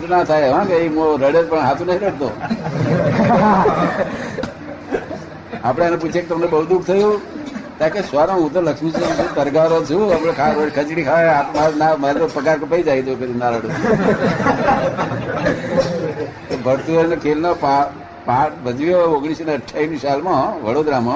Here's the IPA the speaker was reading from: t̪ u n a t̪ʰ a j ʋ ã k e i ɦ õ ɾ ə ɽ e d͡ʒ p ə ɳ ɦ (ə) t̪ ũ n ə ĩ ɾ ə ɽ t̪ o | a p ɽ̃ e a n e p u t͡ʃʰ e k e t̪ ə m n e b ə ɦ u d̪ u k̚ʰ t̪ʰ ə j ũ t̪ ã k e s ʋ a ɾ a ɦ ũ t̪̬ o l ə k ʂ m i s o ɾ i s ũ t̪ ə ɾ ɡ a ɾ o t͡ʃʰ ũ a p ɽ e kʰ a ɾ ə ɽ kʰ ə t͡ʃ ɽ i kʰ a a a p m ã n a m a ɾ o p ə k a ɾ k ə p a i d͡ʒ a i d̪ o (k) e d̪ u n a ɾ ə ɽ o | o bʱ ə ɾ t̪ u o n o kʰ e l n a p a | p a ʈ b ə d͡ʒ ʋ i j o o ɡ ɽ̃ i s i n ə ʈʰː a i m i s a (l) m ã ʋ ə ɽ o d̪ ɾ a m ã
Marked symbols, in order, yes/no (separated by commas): no, yes, yes